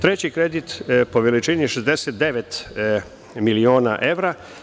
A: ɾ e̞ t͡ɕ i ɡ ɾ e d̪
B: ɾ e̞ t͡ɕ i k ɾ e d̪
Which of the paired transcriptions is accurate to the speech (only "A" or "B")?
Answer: B